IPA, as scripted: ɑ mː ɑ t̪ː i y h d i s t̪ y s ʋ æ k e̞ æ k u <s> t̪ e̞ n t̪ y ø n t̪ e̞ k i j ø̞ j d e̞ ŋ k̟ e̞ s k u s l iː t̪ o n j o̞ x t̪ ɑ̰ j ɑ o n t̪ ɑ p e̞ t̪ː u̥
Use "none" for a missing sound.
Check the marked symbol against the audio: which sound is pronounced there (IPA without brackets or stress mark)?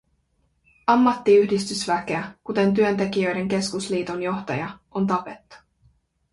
none